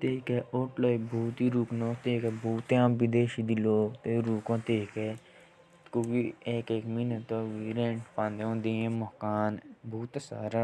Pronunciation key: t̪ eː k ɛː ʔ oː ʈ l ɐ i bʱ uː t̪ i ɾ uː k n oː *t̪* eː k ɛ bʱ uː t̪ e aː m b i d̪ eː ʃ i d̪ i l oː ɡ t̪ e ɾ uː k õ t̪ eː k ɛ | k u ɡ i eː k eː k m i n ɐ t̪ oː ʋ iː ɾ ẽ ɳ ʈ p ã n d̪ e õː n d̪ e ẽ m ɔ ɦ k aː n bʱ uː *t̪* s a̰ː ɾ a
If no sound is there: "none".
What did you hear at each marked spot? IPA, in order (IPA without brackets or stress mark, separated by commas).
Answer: t̪, t̪